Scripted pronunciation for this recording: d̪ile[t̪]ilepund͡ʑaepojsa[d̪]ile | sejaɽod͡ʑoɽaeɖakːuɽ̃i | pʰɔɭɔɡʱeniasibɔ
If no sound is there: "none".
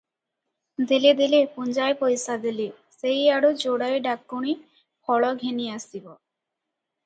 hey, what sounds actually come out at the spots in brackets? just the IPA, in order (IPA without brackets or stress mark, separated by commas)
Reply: d̪, d̪